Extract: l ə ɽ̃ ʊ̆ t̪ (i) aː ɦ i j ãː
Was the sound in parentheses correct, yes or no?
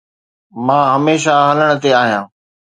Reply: no